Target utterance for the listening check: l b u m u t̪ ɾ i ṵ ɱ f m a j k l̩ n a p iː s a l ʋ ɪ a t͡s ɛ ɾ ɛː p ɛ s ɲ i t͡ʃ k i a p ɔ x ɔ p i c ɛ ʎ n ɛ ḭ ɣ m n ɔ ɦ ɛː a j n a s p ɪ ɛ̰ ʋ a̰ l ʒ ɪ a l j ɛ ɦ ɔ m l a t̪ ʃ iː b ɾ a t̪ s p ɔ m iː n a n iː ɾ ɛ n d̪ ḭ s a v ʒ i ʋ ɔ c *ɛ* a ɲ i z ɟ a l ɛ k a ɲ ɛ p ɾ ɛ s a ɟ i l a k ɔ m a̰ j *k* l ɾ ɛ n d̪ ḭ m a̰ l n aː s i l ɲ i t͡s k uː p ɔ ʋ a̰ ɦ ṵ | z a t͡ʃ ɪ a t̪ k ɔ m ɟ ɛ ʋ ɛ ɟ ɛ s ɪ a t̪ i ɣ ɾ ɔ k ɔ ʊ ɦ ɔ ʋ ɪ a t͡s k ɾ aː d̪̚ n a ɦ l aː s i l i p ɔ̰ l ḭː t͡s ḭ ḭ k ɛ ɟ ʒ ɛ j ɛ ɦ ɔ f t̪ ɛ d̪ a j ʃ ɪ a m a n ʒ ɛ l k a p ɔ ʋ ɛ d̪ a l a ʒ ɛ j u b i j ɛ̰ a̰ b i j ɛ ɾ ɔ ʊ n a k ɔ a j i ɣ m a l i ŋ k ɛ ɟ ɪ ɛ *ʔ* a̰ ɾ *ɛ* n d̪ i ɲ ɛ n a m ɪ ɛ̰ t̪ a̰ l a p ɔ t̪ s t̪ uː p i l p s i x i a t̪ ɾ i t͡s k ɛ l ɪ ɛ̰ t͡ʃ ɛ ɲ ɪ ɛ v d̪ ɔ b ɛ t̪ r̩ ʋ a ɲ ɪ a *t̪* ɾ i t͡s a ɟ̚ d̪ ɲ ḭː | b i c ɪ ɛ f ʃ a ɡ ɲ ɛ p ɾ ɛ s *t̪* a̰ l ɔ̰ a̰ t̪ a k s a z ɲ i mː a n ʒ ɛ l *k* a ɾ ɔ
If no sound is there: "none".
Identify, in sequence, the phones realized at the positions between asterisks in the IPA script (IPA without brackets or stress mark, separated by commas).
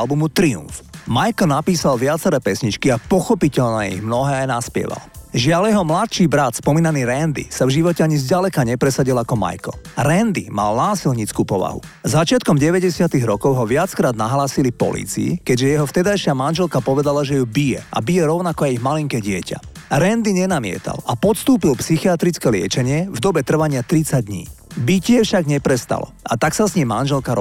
ɛ, k, c, ɛ, t̪, t̪, k